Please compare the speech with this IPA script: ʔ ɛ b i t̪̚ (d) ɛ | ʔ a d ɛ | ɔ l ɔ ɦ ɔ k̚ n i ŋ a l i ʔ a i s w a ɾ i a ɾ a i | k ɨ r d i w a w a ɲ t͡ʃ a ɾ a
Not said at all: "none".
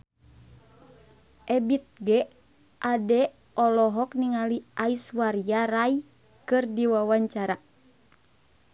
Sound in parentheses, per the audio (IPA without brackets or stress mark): ɡ